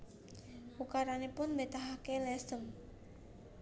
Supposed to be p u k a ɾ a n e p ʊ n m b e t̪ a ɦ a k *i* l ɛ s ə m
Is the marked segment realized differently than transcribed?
yes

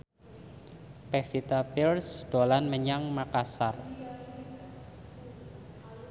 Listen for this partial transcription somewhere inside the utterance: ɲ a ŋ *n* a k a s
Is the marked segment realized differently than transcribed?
yes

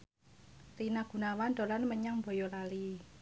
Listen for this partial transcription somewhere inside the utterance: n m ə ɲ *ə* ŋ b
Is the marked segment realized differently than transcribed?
yes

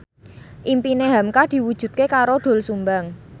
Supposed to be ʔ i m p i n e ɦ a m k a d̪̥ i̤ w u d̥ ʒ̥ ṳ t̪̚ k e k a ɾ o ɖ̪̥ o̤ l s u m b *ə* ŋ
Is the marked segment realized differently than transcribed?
yes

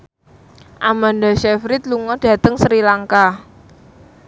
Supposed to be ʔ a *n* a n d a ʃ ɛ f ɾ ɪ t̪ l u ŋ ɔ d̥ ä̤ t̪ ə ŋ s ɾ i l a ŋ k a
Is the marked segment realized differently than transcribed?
yes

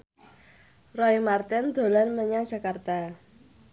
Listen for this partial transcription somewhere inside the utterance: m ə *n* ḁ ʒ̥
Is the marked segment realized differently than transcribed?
yes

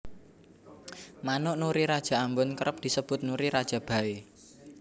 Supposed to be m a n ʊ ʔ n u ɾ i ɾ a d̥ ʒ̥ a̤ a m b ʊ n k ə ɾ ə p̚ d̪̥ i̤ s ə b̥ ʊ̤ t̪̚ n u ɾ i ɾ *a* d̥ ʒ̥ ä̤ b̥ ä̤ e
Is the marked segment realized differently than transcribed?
no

